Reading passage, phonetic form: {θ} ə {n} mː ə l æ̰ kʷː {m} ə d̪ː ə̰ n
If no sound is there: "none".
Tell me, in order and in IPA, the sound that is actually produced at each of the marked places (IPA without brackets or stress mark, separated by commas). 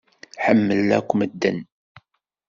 ħ, none, m